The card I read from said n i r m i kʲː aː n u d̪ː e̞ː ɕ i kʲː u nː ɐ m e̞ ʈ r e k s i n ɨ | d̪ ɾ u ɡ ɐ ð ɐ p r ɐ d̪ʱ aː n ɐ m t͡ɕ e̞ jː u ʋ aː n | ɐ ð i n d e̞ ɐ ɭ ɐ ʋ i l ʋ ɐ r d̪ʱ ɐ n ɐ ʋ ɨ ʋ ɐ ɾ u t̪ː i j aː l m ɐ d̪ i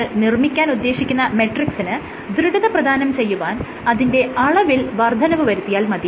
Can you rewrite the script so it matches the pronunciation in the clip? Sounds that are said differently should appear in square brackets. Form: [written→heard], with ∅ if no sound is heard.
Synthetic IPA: n i r m i kʲː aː n u d̪ː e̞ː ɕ i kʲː u nː ɐ m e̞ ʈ r [e→i] k s i n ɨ | d̪ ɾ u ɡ ɐ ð ɐ p r ɐ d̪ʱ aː n ɐ m t͡ɕ e̞ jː u ʋ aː n | ɐ ð i n d e̞ ɐ ɭ ɐ ʋ i l ʋ ɐ r d̪ʱ ɐ n ɐ ʋ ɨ ʋ ɐ ɾ u t̪ː i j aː l m ɐ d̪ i